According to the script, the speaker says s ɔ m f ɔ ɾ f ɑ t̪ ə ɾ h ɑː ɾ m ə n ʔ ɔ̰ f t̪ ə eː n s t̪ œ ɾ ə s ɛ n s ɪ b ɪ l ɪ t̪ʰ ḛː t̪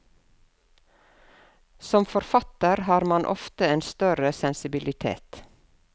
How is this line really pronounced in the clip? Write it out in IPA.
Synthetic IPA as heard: s ɔ m f ɔ ɾ f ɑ t̪ ə ɾ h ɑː ɾ m ɑ n ʔ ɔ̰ f t̪ ə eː n s t̪ œ ɾ ə s ɛ n s ɪ b ɪ l ɪ t̪ʰ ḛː t̪